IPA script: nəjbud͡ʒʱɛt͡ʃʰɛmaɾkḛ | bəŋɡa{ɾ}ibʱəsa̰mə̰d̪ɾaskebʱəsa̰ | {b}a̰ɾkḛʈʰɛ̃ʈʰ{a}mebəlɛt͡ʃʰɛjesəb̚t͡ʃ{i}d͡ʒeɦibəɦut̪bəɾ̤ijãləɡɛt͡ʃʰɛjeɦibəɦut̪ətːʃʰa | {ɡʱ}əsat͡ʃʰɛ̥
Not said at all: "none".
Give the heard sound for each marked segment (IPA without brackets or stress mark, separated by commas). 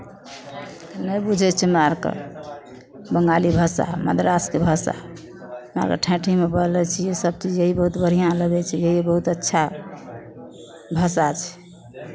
l, m, i, i, bʱ